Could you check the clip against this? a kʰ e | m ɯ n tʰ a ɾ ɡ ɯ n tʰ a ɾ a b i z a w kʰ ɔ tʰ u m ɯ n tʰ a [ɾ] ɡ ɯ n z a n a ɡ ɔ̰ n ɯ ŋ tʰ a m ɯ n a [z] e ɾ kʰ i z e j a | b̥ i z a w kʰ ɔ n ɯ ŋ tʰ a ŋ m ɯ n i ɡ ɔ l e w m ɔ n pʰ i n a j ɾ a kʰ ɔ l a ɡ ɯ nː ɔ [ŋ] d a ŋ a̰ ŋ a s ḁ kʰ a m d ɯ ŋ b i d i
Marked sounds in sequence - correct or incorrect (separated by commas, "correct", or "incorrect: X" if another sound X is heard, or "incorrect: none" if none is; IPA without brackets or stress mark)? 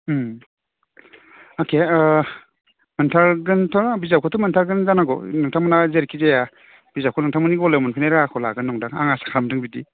correct, correct, correct